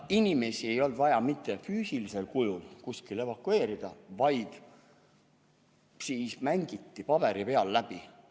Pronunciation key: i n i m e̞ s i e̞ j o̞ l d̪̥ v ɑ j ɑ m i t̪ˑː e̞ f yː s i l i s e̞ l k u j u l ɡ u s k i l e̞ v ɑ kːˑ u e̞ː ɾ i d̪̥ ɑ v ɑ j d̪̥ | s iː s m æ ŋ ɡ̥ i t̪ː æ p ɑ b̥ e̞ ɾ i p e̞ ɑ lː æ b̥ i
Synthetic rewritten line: i n i m e̞ s i e̞ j o̞ l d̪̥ v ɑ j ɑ m i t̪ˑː e̞ f yː s i l i s e̞ l k u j u l k u s k i l e̞ v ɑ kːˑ u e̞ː ɾ i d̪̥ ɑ v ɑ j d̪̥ | s iː s m æ ŋ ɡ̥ i t̪ː i p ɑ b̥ e̞ ɾ i p e̞ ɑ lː æ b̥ i

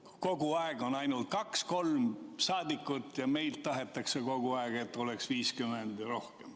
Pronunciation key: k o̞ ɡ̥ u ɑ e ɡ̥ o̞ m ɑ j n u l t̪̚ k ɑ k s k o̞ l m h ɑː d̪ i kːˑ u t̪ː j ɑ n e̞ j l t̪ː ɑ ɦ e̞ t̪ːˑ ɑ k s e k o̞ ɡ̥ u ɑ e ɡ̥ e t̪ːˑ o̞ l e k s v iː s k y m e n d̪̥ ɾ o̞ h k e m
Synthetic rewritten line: k o̞ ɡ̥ u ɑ e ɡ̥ o̞ n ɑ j n u l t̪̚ k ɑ k s k o̞ l m s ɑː d̪ i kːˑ u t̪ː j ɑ m e̞ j l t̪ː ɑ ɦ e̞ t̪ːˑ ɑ k s e k o̞ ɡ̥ u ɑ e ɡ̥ e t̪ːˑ o̞ l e k s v iː s k y m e n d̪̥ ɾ o̞ h k e m

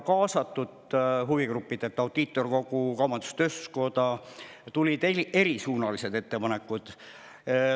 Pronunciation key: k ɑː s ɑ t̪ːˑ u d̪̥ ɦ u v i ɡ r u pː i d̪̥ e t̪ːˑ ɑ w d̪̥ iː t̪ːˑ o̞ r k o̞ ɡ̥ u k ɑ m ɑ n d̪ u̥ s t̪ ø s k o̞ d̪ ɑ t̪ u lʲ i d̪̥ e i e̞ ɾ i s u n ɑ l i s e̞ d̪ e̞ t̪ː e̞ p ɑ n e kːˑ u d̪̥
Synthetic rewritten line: k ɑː s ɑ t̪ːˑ u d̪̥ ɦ u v i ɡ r u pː i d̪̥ e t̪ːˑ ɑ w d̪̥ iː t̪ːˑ o̞ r k o̞ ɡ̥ u k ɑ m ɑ n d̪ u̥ s t̪ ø s k o̞ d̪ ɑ t̪ u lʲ i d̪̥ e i e̞ ɾ i s uː n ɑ l i s e̞ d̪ e̞ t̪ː e̞ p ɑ n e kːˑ u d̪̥

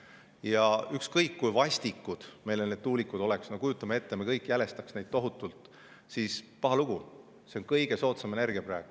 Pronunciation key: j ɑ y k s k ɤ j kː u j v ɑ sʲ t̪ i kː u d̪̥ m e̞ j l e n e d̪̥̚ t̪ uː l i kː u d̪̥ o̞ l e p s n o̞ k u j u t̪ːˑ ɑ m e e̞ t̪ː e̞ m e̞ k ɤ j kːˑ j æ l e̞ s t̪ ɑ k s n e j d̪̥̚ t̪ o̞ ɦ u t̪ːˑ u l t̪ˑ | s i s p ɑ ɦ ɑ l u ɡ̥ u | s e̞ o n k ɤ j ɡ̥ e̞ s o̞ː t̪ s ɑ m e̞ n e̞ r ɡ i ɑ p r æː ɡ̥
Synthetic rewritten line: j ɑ y k s k ɤ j kː u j v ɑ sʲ t̪ i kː u d̪̥ m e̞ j l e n e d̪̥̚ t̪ uː l i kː u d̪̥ o̞ l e k s n o̞ k u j u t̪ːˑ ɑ m e e̞ t̪ː e̞ m e̞ k ɤ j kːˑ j æ l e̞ s t̪ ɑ k s n e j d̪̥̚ t̪ o̞ ɦ u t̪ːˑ u l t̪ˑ | s i s p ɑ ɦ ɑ l u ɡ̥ u | s e̞ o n k ɤ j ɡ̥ e̞ s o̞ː t̪ s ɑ m e̞ n e̞ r ɡ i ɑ p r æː ɡ̥

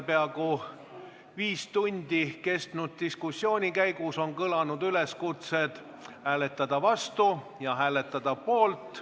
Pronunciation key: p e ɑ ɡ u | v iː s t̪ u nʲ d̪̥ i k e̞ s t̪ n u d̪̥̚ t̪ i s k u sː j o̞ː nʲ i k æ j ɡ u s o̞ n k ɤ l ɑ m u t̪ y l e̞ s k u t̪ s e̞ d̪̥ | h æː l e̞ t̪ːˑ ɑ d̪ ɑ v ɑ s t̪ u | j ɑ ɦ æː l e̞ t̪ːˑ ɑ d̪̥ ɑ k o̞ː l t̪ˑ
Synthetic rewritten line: p e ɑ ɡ u | v iː s t̪ u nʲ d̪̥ i k e̞ s t̪ n u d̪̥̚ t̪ i s k u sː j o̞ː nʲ i k æ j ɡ u s o̞ n k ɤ l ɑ n u d̪ y l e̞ s k u t̪ s e̞ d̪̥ | h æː l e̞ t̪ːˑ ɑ d̪ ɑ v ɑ s t̪ u | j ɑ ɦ æː l e̞ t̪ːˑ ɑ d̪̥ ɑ p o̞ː l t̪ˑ

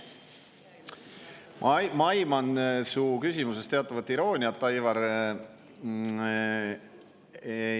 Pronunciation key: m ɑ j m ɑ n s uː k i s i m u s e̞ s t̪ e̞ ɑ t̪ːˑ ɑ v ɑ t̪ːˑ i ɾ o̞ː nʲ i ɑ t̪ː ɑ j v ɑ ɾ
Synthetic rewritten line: m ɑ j m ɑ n s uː k y s i m u s e̞ s t̪ e̞ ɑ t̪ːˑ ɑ v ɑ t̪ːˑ i ɾ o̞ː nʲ i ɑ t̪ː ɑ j v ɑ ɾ

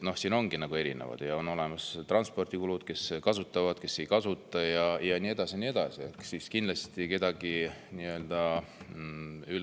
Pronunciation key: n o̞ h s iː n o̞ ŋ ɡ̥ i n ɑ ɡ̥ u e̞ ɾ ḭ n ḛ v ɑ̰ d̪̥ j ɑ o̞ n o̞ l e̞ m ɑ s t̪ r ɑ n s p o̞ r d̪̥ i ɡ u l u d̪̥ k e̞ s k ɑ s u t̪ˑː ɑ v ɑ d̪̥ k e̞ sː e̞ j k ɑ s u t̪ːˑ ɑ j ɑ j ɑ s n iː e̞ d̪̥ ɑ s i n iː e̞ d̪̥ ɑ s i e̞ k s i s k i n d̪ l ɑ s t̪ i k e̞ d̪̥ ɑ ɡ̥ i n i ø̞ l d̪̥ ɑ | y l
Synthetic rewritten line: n o̞ h s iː n o̞ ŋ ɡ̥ i n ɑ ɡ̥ u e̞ ɾ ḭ n ḛ v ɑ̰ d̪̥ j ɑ o̞ n o̞ l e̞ m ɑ s t̪ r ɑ n s p o̞ r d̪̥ i k u l u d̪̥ k e̞ s k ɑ s u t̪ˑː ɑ v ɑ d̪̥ k e̞ sː e̞ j k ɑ s u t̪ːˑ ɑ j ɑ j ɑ n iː e̞ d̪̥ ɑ s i n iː e̞ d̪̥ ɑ s i e̞ k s i s k i n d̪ l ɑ s t̪ i k e̞ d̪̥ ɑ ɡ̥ i n i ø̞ l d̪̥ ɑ | y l

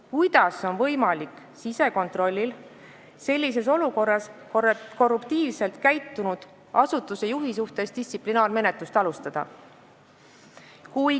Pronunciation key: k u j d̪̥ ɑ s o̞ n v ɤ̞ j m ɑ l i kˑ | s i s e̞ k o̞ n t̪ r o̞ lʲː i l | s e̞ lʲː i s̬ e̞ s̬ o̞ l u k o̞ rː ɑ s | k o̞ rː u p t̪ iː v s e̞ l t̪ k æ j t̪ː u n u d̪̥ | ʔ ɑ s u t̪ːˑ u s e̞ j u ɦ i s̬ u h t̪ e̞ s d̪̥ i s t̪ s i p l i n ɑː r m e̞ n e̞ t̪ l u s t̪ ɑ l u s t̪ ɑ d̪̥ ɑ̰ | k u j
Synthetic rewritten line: k u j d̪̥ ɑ s o̞ n v ɤ̞ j m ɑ l i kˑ | s i s e̞ k o̞ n t̪ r o̞ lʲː i l | s e̞ lʲː i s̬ e̞ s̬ o̞ l u k o̞ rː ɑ s | k o̞ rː u p t̪ iː v s e̞ l t̪ k æ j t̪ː u n u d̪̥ | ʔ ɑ s u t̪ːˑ u s e̞ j u ɦ i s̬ u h t̪ e̞ s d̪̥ i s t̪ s i p l i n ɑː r m e̞ n e̞ t̪ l u s t̪ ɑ l u s t̪ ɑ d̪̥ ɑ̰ | k u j

